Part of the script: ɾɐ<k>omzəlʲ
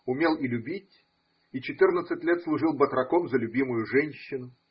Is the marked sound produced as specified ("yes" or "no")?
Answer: yes